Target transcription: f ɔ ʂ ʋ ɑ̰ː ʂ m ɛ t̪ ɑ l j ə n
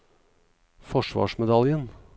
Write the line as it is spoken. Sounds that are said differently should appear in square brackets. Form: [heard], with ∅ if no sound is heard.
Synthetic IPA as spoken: f ɔ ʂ ʋ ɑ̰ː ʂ m ɛ [d̪] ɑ l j ə n